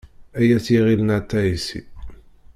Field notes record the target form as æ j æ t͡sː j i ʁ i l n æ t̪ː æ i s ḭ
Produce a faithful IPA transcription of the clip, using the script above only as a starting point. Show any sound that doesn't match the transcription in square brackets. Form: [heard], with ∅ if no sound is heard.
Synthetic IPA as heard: æ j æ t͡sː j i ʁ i l n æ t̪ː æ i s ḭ